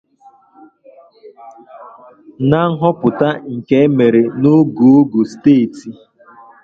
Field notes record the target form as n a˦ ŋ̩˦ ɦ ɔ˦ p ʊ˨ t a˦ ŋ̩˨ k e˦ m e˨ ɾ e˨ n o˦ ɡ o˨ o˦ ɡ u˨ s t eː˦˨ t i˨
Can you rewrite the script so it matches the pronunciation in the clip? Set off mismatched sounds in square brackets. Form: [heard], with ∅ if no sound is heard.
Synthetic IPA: n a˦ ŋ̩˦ ɦ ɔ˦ p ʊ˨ t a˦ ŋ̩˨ k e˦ m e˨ ɾ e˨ n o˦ ɡ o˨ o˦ ɡ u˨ s t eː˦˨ t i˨